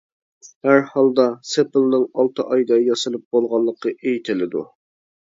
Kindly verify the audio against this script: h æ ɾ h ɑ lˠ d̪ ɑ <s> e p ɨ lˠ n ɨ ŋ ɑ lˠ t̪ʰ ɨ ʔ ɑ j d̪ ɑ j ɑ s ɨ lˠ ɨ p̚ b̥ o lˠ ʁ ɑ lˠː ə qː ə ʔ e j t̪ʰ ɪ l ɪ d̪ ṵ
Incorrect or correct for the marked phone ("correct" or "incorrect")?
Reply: correct